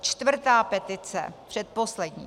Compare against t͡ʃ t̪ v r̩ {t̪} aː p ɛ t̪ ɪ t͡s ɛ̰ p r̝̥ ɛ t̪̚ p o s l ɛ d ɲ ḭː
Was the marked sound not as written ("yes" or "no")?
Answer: no